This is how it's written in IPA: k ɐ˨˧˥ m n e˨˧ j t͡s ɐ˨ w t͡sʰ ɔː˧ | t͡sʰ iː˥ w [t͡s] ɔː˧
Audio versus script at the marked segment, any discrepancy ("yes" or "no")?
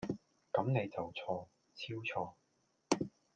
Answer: yes